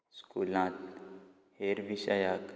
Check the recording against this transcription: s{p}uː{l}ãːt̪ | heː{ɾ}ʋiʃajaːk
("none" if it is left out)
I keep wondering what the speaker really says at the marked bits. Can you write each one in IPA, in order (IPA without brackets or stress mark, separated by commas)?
k, l, ɾ